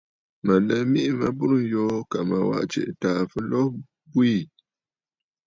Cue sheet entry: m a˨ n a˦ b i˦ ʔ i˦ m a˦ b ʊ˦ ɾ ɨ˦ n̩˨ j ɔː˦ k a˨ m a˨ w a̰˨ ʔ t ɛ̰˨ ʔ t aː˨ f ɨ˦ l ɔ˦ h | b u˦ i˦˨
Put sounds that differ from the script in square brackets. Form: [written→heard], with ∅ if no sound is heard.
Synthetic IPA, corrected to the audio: m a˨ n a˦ [b→m] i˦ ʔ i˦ m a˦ b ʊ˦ ɾ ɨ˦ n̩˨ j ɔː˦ k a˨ m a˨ w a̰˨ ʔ [t→t͡ʃ] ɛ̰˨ ʔ t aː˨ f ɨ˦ l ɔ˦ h | b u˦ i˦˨